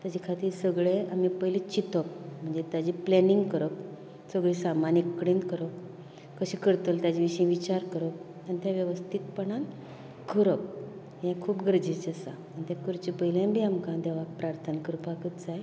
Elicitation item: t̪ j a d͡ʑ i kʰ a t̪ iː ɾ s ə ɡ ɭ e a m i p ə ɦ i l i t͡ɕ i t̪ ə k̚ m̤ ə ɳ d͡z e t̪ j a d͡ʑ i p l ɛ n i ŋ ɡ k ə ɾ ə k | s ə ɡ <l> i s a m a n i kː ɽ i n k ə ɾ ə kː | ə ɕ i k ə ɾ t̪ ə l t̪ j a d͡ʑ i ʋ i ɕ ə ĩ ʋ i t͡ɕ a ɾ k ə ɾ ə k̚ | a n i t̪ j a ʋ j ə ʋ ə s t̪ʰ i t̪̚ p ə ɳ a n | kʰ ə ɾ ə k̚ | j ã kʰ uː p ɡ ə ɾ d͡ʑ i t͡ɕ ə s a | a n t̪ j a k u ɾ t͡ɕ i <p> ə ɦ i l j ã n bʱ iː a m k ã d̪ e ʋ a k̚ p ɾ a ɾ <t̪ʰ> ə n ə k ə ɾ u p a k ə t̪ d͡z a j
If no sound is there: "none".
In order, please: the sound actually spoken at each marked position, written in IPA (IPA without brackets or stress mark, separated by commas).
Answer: ɭ, p, t̪ʰ